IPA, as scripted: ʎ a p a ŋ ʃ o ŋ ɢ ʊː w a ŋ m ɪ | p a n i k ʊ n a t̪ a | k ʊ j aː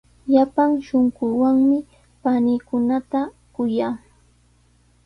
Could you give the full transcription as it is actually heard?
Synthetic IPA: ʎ a p a ŋ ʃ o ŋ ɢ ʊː w a ŋ m ɪ | p a n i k ʊ n a t̪ a | k ʊ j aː